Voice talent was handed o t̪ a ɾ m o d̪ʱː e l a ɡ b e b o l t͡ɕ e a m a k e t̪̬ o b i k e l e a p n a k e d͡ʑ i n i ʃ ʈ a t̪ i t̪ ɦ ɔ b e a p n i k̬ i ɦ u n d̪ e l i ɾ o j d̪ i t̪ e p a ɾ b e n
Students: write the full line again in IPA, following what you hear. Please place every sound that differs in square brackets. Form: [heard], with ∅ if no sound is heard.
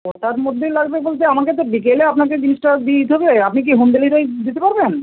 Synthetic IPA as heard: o t̪ a ɾ m o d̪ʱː e l a ɡ b e b o l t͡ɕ e a m a k e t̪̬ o b i k e l e a p n a k e d͡ʑ i n i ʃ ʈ a [d̪] i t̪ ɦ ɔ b e a p n i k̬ i ɦ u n d̪ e l i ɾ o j d̪ i t̪ e p a ɾ b e n